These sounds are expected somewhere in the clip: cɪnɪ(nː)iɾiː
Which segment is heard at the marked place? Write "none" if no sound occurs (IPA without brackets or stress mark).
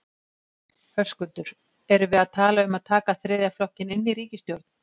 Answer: nː